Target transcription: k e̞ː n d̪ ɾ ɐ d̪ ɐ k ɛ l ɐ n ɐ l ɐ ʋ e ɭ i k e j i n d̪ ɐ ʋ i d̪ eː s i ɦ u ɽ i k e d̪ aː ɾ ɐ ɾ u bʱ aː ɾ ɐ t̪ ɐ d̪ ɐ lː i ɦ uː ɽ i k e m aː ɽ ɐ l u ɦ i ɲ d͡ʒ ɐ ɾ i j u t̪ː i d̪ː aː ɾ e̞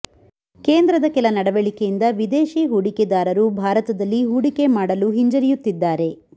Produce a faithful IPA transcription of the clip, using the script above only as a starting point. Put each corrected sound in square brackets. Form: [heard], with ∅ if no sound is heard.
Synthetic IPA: k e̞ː n d̪ ɾ ɐ d̪ ɐ k ɛ l ɐ n ɐ [ɽ] ɐ ʋ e ɭ i k e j i n d̪ ɐ ʋ i d̪ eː [ʃ] i ɦ u ɽ i k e d̪ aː ɾ ɐ ɾ u bʱ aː ɾ ɐ t̪ ɐ d̪ ɐ lː i ɦ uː ɽ i k e m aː ɽ ɐ l u ɦ i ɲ d͡ʒ ɐ ɾ i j u t̪ː i d̪ː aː ɾ e̞